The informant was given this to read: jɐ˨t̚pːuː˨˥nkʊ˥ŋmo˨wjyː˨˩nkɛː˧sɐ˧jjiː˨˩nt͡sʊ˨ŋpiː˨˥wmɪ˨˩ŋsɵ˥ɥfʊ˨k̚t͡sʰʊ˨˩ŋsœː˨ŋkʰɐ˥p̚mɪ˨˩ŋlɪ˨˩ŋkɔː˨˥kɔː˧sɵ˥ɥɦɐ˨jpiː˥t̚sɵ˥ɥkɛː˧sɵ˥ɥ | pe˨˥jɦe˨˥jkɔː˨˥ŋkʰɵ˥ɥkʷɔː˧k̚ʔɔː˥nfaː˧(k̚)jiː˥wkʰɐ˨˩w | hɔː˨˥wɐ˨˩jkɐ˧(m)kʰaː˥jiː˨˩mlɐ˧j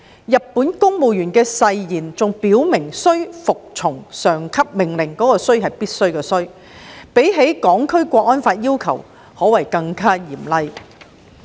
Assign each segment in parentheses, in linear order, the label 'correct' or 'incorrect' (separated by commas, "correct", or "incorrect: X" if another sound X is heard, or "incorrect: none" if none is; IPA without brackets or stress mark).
incorrect: t̚, incorrect: ŋ